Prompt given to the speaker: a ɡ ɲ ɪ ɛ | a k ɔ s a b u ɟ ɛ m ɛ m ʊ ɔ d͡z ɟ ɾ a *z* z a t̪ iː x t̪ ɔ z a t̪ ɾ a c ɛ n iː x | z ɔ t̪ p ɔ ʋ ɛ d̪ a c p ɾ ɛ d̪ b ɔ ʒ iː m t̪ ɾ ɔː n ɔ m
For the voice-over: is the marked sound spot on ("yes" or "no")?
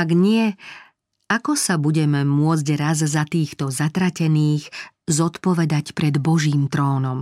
yes